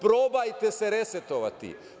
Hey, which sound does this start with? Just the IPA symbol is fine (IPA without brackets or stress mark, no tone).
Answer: p